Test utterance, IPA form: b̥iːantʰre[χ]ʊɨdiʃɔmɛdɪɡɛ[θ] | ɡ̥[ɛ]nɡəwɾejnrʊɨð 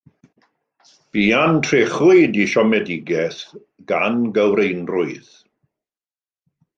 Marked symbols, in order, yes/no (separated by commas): yes, yes, no